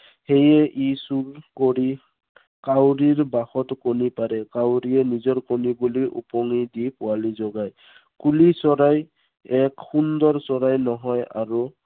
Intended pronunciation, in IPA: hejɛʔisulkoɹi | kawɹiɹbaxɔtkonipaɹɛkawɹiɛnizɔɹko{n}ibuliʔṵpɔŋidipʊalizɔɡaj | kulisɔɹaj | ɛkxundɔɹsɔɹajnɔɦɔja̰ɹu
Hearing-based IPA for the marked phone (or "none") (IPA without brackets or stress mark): n